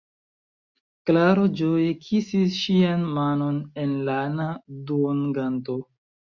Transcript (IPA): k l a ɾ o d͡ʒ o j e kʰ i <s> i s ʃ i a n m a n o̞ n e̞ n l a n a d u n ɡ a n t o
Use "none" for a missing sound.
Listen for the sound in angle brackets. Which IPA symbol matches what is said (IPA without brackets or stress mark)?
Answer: s